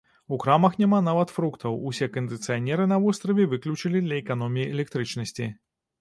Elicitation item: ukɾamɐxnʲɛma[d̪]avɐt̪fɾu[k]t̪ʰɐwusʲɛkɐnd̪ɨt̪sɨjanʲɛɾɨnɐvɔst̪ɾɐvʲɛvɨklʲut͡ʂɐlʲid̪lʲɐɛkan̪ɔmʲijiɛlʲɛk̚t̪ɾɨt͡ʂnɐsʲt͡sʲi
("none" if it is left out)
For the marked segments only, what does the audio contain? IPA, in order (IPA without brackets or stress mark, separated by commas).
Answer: n̪, k